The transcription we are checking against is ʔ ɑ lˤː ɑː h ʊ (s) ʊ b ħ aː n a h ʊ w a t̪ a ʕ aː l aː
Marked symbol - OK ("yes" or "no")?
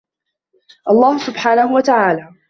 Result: yes